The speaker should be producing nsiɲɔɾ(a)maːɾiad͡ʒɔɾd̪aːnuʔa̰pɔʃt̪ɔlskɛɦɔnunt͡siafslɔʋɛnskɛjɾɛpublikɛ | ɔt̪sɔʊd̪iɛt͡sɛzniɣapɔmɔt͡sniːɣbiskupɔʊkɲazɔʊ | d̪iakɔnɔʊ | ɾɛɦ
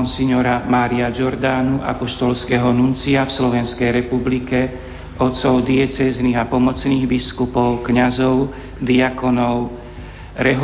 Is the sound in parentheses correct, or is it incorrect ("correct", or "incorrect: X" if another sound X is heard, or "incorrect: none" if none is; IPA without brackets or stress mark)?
correct